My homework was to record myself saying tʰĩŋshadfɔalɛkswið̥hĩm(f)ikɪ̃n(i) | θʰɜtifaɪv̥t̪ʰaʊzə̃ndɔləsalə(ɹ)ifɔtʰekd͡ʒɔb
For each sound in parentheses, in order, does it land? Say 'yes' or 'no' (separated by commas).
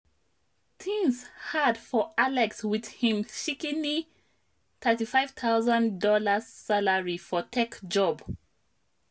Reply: no, yes, yes